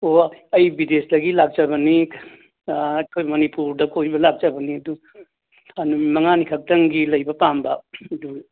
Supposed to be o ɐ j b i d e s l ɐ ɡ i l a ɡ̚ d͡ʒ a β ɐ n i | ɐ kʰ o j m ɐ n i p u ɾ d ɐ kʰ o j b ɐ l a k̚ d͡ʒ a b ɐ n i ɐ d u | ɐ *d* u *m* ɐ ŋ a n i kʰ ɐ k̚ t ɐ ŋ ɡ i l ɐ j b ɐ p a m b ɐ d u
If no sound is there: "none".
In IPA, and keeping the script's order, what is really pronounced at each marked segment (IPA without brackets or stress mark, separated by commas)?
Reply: n, m